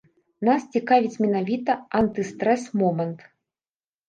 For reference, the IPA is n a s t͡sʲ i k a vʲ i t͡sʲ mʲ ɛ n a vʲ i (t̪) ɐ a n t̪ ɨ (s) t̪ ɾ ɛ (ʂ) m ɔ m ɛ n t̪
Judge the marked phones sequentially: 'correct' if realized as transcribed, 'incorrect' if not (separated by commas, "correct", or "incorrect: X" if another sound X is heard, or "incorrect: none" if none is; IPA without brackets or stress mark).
correct, correct, incorrect: s